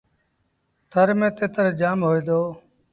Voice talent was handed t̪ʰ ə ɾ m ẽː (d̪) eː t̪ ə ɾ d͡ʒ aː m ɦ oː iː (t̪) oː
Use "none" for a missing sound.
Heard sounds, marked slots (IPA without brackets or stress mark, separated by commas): t̪, d̪